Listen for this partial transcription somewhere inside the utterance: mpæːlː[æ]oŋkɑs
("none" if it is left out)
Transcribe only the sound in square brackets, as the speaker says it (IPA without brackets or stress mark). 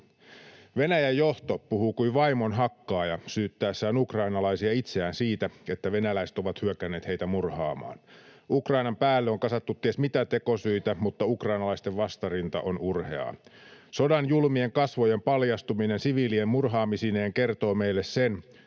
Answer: e